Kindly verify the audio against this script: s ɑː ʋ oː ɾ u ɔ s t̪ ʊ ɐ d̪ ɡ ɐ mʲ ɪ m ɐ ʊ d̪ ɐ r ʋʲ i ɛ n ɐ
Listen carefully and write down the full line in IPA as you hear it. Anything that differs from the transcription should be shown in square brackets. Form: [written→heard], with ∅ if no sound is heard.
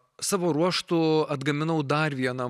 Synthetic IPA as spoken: s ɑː ʋ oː ɾ u ɔ [s→ʃ] t̪ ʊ ɐ d̪ ɡ ɐ mʲ ɪ [m→n] ɐ ʊ d̪ ɐ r ʋʲ i ɛ n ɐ